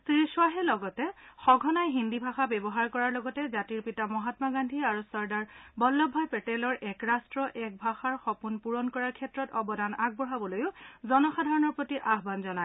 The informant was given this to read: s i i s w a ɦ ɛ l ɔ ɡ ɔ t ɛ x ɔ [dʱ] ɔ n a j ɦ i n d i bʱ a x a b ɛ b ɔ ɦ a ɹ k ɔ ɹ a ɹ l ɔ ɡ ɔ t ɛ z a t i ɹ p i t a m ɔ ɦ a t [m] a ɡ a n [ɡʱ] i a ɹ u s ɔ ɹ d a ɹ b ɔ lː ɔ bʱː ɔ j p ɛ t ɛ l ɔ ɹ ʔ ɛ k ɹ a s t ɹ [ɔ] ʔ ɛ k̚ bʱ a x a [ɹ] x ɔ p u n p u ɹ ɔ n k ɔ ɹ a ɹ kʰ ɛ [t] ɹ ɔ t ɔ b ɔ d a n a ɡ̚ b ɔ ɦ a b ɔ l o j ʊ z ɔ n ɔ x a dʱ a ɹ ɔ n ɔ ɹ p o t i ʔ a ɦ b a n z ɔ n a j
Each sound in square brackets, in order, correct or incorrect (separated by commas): incorrect, correct, incorrect, correct, correct, correct